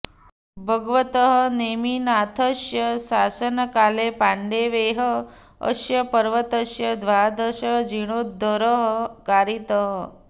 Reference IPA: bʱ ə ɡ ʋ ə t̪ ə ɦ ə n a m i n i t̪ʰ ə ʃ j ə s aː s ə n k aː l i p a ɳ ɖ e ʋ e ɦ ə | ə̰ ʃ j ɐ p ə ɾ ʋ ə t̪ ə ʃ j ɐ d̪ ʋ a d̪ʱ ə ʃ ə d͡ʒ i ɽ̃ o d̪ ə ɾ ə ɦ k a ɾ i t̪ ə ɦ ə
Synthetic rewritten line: bʱ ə ɡ ʋ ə t̪ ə ɦ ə n e m i n a t̪ʰ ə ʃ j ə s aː s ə n k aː l e p a ɳ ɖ e ʋ e ɦ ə | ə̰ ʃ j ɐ p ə ɾ ʋ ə t̪ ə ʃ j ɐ d̪ ʋ a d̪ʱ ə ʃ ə d͡ʒ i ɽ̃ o d̪ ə ɾ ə ɦ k a ɾ i t̪ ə ɦ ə